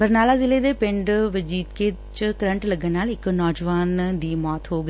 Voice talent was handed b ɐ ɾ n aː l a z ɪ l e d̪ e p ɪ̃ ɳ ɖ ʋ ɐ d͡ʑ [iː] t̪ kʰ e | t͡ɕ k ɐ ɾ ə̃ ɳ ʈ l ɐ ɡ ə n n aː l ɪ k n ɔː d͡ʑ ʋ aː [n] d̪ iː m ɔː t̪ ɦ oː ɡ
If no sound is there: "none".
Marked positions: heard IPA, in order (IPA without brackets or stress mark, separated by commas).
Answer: iː, n